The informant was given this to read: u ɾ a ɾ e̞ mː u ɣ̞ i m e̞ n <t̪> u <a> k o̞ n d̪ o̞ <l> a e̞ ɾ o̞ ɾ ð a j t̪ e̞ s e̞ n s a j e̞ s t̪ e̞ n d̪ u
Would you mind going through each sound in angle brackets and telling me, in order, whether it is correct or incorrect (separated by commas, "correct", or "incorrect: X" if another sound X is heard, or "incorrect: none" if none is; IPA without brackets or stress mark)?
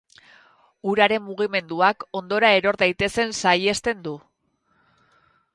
incorrect: d̪, correct, incorrect: ɾ